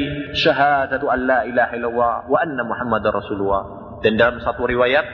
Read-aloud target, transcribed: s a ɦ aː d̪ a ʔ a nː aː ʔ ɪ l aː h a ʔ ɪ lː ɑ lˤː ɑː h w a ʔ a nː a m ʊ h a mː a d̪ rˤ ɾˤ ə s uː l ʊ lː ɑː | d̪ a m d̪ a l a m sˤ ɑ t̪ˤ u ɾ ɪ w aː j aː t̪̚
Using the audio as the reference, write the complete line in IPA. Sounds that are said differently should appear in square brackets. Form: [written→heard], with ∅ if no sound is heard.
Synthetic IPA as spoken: [s→ʃ] a ɦ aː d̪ a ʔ a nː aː ʔ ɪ l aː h a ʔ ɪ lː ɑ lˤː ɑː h w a ʔ a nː a m ʊ [h→ħ] a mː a d̪ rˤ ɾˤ [ə→ɑ] s uː l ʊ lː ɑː | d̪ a [m→n] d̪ a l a m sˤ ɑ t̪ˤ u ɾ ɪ w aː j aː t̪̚